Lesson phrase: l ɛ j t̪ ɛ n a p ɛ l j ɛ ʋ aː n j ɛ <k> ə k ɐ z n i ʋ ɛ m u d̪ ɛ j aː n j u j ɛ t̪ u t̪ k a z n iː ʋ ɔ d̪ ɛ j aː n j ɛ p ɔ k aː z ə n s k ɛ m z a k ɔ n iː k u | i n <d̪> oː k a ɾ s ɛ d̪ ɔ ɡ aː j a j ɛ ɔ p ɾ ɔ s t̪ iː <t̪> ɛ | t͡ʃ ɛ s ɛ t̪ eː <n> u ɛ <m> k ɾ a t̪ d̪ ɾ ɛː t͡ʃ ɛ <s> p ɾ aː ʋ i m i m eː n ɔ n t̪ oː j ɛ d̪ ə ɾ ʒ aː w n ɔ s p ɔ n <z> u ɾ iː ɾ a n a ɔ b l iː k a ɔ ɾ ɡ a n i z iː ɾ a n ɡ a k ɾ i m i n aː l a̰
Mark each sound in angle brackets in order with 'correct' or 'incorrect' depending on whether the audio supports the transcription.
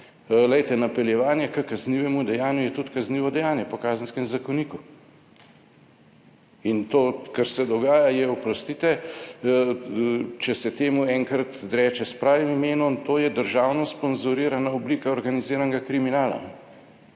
correct, incorrect: t̪, correct, incorrect: m, incorrect: ŋ, correct, correct

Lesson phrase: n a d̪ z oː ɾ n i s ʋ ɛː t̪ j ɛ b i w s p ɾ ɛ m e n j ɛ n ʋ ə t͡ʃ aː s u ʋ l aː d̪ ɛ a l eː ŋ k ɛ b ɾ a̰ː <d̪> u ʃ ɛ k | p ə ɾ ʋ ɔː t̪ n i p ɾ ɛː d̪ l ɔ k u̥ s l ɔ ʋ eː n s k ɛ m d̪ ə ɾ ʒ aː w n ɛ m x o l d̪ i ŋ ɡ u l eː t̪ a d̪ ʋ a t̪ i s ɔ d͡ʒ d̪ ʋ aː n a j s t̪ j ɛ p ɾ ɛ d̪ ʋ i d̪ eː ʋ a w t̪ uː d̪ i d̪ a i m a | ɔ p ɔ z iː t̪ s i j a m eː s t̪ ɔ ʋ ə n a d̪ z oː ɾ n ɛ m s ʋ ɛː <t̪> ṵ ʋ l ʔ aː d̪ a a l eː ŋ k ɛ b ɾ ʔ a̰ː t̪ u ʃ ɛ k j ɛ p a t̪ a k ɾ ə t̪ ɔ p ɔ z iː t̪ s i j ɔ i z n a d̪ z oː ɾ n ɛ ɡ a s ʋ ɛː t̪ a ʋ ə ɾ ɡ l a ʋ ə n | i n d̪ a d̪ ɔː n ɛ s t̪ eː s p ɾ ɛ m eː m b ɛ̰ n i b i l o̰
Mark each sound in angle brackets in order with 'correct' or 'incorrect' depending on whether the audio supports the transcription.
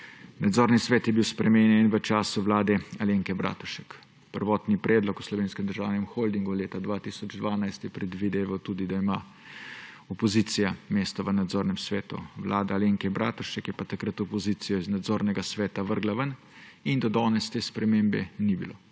incorrect: t̪, correct

